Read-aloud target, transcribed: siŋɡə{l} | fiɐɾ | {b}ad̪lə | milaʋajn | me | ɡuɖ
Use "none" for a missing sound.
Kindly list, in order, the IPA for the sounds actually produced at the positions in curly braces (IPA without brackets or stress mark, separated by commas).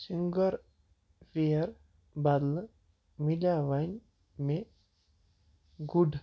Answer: ɾ, b